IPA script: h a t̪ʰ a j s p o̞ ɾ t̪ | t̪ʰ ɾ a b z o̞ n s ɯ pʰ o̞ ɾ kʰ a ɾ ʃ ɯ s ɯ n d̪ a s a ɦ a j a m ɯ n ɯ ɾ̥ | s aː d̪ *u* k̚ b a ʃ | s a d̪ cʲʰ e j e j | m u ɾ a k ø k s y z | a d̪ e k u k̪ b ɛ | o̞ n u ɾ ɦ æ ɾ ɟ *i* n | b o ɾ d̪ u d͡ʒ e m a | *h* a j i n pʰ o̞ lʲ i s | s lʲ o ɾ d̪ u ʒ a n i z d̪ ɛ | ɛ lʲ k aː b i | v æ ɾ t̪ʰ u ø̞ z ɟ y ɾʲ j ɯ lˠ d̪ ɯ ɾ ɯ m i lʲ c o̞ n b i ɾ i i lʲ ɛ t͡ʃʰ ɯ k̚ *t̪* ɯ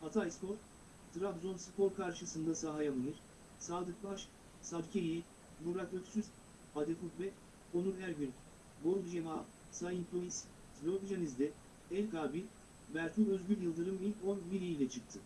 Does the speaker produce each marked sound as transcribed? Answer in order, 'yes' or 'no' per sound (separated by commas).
no, no, no, no